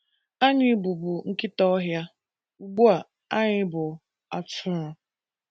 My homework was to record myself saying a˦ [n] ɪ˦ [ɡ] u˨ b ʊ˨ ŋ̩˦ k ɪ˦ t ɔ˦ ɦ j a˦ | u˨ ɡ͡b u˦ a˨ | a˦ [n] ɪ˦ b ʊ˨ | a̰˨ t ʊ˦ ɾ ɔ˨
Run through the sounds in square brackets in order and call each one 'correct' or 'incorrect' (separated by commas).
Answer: incorrect, incorrect, incorrect